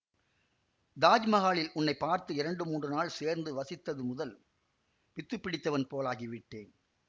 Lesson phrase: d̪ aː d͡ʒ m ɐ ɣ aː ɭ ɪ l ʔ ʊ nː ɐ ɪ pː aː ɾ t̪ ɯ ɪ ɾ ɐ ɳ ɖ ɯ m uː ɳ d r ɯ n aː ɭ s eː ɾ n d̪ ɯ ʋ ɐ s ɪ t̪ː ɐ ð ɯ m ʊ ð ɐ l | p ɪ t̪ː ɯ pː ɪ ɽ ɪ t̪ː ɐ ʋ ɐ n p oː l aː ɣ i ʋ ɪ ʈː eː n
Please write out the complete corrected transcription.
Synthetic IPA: d̪ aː d͡ʒ m ɐ ɣ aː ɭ ɪ l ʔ ʊ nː ɐ ɪ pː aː ɾ t̪ ɯ ɪ ɾ ɐ ɳ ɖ ɯ m uː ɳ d r ɯ n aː ɭ s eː ɾ n d̪ ɯ ʋ ɐ s ɪ t̪ː ɐ ð ɯ m ʊ ð ɐ l | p ɪ t̪ː ɯ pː ɪ ɽ ɪ t̪ː ɐ ʋ ɐ n p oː l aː ɣ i ʋ ɪ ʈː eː n